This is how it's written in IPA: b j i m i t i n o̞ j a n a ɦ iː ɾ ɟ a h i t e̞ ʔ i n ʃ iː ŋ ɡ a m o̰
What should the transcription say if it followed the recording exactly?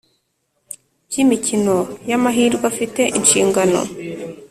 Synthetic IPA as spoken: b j i m i c i n o̞ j a m a ɦ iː ɾ ɡ a f i t e̞ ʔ i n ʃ iː ŋ ɡ a n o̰

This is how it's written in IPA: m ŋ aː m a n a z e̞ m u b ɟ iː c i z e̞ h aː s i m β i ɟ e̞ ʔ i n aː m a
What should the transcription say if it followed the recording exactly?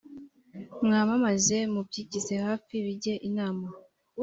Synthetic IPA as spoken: m ŋ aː m a m a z e̞ m u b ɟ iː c i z e̞ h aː f i β i ɟ e̞ ʔ i n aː m a

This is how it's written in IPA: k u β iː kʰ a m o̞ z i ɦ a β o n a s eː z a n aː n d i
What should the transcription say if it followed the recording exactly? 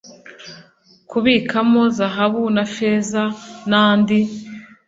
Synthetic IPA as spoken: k u β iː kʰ a m o̞ z a ɦ a β u n a f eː z a n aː n d i

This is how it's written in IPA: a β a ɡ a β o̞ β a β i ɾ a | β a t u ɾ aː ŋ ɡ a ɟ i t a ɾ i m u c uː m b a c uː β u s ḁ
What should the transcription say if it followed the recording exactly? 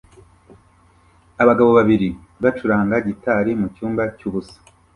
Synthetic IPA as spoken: a β a ɡ a β o̞ β a β i ɾ i | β a t͡ʃ u ɾ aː ŋ ɡ a ɟ i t a ɾ i m u c uː m b a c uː β u s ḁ

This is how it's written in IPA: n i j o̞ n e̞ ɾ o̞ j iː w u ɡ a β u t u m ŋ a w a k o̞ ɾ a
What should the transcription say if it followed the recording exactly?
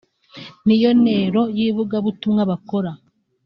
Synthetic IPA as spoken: n i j o̞ n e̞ ɾ o̞ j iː β u ɡ a β u t u m ŋ a β a k o̞ ɾ a

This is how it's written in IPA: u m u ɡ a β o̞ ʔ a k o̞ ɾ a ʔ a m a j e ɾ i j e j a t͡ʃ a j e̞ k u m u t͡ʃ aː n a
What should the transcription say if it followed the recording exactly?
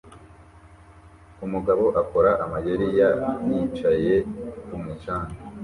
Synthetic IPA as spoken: u m u ɡ a β o̞ ʔ a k o̞ ɾ a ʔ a m a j e ɾ i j a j i t͡ʃ a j e̞ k u m u t͡ʃ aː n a

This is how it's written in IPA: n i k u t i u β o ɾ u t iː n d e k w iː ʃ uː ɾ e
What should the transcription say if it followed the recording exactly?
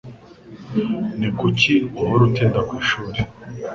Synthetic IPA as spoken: n i k u c i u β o ɾ u t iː n d a k w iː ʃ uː ɾ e

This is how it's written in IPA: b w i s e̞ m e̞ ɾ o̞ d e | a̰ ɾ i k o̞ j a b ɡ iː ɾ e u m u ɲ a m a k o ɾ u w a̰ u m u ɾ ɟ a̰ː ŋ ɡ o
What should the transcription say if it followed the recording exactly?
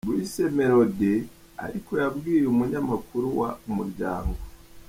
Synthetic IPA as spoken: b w i s e̞ m e̞ ɾ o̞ d e | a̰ ɾ i k o̞ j a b ɡ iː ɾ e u m u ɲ a m a k u ɾ u w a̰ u m u ɾ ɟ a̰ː ŋ ɡ o

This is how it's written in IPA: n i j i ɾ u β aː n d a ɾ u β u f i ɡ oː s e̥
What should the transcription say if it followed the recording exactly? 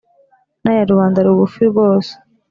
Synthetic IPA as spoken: n a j a ɾ u β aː n d a ɾ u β u f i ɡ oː s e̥

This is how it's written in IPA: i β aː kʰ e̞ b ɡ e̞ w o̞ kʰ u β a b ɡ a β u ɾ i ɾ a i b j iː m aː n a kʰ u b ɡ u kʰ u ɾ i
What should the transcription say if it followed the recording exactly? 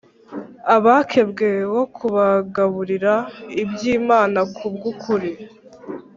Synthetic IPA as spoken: a β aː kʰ e̞ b ɡ e̞ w o̞ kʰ u β a ɡ a β u ɾ i ɾ a i b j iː m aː n a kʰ u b ɡ u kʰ u ɾ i

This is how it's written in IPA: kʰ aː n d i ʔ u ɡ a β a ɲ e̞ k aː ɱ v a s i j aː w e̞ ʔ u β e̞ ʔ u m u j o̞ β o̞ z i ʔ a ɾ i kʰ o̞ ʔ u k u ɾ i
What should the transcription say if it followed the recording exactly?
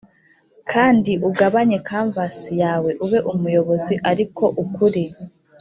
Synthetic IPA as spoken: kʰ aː n d i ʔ u ɡ a β a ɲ e̞ k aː ɱ v a s i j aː w e̞ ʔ u β e̞ ʔ u m u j o̞ β o̞ z i ʔ a ɾ i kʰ o̞ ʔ u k u ɾ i

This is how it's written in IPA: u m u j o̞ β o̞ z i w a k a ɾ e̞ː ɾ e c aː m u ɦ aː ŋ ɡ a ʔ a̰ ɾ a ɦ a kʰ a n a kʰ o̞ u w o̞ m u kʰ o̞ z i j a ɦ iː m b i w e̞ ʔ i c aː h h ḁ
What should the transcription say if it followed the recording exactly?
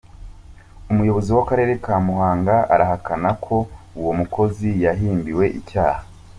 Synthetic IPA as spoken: u m u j o̞ β o̞ z i w a k a ɾ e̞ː ɾ e k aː m u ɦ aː ŋ ɡ a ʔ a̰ ɾ a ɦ a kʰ a n a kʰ o̞ u w o̞ m u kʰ o̞ z i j a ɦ iː m b i w e̞ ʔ i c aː h h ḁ

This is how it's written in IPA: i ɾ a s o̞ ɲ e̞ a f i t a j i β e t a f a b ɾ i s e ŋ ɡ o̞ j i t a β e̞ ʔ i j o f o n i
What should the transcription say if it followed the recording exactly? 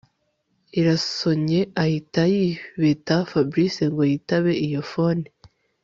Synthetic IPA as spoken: i ɾ a s o̞ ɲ e̞ a h i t a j i β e t a f a b ɾ i s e ŋ ɡ o̞ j i t a β e̞ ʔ i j o f o n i

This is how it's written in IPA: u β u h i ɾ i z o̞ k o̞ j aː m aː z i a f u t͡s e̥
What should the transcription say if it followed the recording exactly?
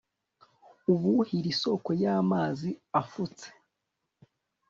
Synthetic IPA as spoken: u β u h i ɾ i s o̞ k o̞ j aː m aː z i a f u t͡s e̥

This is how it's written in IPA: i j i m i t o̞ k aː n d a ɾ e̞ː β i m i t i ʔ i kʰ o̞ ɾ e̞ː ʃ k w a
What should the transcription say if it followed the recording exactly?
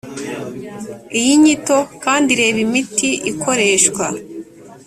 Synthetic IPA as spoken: i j i ɲ i t o̞ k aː n d i ɾ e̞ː β i m i t i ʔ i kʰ o̞ ɾ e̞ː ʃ k w a

